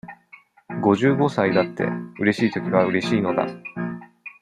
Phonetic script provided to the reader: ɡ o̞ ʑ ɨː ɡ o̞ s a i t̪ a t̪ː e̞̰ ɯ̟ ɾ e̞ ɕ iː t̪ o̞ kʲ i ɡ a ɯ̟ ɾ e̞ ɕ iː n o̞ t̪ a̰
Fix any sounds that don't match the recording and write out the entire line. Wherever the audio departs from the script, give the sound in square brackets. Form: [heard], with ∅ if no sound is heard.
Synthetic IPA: ɡ o̞ ʑ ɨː ɡ o̞ s a i [d̪] a t̪ː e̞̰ ɯ̟ ɾ e̞ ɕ iː t̪ o̞ kʲ i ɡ a ɯ̟ ɾ e̞ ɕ iː n o̞ [d̪] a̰